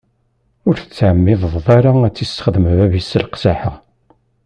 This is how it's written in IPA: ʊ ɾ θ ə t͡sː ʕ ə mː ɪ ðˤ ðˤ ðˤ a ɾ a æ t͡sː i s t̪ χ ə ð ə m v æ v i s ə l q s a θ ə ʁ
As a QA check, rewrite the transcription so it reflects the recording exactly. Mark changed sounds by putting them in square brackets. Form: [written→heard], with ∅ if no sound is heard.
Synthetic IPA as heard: ʊ ɾ θ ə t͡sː ʕ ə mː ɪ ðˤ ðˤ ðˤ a ɾ a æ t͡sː i s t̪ χ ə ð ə m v æ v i s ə l q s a [θ→ħ] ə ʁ